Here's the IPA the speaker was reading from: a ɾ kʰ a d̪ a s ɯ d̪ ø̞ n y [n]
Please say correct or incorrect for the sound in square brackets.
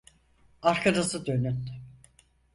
correct